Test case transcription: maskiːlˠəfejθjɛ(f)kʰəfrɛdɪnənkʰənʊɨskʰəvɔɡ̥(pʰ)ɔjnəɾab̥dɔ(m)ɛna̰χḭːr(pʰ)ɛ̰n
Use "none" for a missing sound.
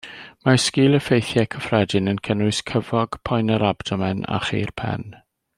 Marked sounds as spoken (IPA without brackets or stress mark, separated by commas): none, pʰ, m, pʰ